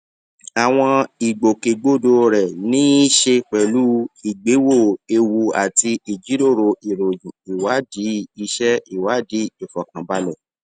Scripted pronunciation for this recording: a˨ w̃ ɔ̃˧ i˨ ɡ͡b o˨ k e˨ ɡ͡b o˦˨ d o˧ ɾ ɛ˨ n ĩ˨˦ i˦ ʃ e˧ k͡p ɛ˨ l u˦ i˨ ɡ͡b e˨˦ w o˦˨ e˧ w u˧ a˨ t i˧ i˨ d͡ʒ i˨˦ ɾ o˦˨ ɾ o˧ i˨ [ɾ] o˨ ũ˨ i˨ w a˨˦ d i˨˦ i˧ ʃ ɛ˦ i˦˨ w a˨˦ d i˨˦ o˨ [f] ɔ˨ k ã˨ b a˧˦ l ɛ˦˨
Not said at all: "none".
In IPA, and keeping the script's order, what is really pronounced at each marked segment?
ɾ, f

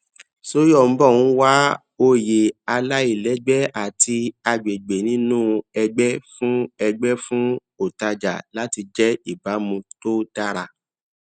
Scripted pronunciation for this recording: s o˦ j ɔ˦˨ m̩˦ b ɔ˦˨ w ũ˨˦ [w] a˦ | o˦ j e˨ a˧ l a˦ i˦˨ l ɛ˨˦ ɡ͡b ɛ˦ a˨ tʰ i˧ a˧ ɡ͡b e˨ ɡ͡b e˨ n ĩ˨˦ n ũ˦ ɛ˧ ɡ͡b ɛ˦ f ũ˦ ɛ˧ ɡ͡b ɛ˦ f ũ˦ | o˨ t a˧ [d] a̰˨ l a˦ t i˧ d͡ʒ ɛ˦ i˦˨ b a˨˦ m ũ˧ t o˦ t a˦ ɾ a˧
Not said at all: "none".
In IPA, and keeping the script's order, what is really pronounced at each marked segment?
w, d͡ʒ

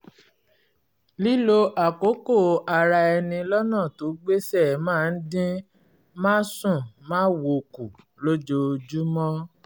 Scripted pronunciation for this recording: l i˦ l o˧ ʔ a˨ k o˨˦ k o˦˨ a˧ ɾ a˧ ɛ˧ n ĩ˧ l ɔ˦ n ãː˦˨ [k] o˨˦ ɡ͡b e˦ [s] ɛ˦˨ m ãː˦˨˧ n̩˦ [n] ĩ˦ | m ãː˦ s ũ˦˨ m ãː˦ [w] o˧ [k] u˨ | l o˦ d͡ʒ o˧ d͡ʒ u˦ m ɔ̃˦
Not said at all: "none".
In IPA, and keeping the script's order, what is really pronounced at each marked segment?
t, s, d, w, k

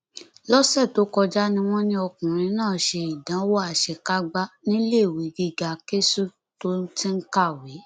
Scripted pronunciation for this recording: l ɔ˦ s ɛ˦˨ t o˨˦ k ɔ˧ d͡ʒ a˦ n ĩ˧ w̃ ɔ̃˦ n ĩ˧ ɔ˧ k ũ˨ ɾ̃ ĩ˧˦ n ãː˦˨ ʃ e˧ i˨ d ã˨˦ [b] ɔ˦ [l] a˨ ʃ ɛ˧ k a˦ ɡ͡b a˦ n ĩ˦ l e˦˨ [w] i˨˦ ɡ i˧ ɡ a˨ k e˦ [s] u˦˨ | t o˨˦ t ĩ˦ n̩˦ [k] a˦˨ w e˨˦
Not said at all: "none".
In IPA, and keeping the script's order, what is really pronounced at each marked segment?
w, none, w, s, k

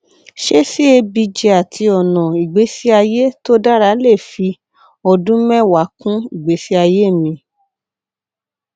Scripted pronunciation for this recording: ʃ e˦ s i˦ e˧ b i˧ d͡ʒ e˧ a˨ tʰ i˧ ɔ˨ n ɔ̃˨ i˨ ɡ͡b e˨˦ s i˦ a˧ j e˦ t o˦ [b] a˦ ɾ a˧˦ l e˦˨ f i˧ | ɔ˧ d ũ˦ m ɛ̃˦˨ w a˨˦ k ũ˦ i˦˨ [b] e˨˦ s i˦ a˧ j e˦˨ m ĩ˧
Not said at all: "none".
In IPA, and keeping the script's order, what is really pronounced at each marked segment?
d, ɡ͡b

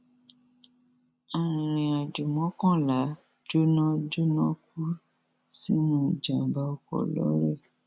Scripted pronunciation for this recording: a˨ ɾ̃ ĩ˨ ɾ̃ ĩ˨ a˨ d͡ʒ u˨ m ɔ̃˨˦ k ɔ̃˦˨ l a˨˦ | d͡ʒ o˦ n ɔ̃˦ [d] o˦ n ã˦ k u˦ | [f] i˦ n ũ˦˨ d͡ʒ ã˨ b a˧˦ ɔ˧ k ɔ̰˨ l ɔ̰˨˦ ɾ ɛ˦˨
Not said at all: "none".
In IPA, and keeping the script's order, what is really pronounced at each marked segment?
d͡ʒ, s

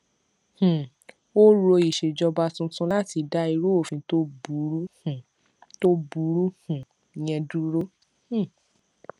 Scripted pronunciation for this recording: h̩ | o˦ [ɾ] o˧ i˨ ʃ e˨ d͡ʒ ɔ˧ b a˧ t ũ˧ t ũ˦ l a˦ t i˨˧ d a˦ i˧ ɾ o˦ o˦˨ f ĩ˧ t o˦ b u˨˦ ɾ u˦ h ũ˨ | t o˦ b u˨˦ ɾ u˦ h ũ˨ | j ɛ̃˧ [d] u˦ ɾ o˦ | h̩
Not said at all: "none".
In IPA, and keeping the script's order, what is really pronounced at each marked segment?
ɾ, d

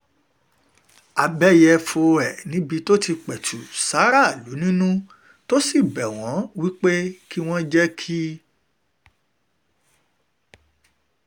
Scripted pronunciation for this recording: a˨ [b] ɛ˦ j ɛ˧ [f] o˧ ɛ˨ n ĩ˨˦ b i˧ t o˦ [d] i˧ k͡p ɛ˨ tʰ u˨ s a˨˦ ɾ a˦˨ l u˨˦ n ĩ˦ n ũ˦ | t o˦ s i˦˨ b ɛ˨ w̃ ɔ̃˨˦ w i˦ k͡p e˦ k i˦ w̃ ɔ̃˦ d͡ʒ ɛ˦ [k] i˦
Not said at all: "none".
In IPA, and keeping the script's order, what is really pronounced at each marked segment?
b, f, t, kʰ

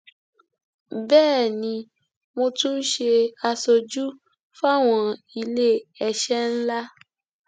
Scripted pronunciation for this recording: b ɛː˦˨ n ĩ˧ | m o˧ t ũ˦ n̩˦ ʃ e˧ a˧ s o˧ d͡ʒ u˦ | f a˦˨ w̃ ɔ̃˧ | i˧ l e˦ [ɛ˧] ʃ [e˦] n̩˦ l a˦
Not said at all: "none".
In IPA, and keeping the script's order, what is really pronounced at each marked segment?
ɛ˧, ɛ˦

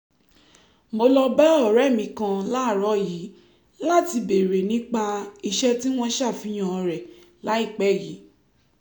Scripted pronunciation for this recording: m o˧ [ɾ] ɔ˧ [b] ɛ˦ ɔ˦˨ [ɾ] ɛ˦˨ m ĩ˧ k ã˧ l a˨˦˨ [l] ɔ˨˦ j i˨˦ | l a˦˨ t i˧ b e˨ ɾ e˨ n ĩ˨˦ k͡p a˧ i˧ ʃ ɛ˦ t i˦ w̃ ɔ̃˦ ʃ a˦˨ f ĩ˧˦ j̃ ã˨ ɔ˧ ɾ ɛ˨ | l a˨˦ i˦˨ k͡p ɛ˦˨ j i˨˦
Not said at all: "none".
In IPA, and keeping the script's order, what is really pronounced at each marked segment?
l, b, ɾ, ɾ

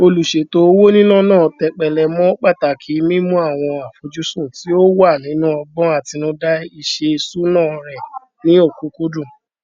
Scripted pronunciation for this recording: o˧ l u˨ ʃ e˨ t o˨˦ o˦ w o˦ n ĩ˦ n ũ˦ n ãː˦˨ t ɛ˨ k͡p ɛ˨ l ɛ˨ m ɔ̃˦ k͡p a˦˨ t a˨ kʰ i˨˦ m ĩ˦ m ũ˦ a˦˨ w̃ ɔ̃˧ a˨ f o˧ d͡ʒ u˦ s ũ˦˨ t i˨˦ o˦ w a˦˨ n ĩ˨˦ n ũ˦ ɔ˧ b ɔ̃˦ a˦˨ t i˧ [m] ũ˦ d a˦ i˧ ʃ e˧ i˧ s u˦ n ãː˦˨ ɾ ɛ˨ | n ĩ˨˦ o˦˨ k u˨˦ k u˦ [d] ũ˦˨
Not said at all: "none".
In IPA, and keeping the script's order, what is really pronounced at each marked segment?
n, d

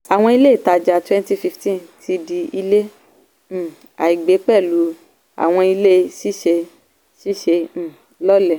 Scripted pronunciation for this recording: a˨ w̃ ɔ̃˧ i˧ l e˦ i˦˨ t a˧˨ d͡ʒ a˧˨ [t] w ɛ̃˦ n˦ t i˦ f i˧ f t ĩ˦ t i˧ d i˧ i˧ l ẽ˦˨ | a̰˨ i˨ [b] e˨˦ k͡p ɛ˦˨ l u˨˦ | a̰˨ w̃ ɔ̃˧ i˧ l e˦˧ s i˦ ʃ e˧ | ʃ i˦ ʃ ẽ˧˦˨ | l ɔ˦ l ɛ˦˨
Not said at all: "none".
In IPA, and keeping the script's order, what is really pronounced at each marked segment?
t, ɡ͡b

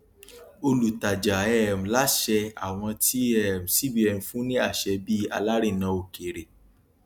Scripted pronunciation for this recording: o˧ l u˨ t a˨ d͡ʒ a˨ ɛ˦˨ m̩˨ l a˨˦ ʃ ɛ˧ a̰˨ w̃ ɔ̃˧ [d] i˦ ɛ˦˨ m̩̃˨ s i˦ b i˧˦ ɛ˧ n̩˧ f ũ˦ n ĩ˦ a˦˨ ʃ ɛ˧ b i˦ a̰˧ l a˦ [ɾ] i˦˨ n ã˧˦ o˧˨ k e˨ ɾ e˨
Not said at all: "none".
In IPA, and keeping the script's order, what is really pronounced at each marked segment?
t, ɾ

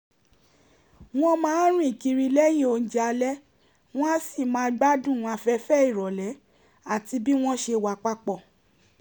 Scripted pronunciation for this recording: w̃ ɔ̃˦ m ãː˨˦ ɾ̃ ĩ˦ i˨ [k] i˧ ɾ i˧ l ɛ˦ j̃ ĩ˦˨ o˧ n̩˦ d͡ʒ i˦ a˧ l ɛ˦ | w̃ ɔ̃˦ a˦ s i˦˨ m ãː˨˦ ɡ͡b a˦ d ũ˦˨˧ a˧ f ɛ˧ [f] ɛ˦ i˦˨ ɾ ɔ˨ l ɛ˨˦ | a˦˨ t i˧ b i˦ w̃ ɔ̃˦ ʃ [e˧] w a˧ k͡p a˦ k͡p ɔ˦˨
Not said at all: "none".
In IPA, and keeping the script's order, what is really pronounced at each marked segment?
k, f, e˧

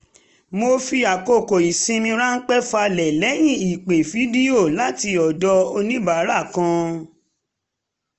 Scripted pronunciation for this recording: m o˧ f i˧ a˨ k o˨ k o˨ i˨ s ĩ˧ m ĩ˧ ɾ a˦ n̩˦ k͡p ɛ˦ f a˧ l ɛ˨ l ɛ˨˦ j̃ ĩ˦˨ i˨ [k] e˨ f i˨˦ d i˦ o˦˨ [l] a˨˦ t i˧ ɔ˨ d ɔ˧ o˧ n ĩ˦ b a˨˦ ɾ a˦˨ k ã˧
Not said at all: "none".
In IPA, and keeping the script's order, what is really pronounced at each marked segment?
k͡p, l

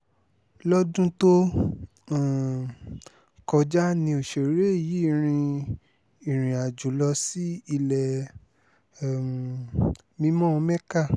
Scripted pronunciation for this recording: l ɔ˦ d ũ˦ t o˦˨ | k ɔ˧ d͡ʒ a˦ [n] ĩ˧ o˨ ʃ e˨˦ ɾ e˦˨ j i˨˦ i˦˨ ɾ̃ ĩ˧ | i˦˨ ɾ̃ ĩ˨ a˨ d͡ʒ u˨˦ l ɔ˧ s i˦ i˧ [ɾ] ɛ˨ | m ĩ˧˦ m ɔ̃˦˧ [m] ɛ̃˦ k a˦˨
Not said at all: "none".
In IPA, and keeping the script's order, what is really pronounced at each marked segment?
n, l, m

